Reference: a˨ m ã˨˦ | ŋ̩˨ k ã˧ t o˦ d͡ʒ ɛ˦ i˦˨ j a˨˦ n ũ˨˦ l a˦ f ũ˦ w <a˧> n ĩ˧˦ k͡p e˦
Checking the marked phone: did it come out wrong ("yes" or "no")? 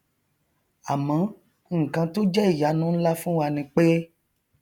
no